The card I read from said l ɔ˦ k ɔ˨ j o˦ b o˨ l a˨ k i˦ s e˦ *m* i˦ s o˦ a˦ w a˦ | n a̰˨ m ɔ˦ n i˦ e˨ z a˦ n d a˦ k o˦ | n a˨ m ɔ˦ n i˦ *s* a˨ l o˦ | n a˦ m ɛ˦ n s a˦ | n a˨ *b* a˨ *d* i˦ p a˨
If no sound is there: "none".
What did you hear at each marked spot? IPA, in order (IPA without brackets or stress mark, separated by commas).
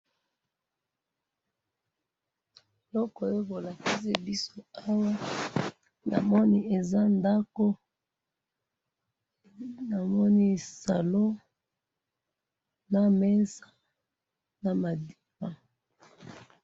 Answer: b, s, m, d